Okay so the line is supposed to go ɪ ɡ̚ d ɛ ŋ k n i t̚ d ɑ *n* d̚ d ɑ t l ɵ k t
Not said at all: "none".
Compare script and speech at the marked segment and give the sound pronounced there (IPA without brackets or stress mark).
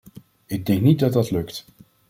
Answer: none